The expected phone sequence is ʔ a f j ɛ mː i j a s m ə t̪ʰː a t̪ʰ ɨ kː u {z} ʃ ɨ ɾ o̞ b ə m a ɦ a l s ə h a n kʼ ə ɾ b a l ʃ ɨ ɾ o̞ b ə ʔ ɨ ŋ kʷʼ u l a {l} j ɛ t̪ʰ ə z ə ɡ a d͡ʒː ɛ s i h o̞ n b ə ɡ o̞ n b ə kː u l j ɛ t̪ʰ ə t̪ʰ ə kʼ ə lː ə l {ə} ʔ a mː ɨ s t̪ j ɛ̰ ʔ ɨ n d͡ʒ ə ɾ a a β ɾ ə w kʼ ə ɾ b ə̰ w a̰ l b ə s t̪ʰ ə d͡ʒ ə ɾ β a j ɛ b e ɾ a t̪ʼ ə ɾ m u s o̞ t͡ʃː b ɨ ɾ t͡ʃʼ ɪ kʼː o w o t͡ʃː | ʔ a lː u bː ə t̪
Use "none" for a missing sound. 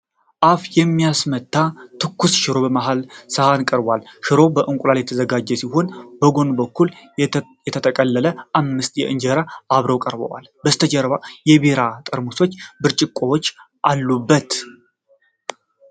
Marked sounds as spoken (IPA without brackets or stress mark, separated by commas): s, l, ə